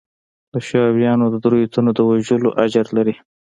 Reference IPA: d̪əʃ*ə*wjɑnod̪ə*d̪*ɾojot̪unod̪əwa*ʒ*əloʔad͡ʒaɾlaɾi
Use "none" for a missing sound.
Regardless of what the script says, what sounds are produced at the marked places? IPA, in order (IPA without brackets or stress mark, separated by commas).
ɑ, d̪, ʒ